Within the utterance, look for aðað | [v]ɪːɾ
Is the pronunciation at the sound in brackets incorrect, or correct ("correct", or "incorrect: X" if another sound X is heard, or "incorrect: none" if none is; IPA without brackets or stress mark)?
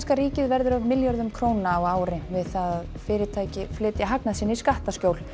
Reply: incorrect: f